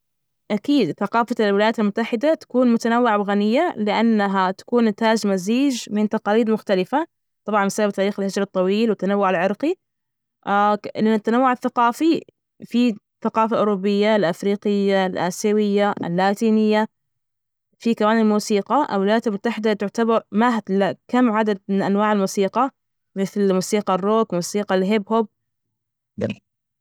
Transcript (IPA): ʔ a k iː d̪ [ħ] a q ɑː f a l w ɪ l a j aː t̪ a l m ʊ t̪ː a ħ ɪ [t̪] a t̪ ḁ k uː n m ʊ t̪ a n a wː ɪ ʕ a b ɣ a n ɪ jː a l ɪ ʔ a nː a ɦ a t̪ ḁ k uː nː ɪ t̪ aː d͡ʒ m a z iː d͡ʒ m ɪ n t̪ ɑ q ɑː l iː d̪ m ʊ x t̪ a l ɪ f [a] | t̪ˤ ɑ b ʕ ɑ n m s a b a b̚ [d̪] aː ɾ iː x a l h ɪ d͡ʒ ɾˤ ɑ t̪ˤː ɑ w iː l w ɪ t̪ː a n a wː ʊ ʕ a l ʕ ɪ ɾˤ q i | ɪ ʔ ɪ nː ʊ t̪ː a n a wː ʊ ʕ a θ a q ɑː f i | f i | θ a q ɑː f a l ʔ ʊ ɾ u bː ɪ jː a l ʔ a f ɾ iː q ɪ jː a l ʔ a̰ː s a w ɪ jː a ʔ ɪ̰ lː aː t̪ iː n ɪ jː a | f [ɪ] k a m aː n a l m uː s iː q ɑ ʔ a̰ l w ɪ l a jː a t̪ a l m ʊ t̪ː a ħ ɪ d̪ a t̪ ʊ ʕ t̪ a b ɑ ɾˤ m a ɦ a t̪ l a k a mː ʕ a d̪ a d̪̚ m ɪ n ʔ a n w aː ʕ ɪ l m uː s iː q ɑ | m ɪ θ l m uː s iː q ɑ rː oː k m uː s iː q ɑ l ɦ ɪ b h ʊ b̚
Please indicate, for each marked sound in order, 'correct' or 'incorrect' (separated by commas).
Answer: incorrect, incorrect, correct, incorrect, incorrect